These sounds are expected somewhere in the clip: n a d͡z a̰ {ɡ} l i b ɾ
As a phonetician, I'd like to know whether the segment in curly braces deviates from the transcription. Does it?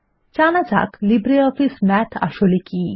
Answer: yes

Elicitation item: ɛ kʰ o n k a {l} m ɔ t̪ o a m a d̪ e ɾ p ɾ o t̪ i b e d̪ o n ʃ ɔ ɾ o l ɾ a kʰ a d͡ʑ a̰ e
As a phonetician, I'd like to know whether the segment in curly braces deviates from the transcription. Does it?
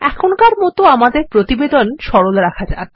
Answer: yes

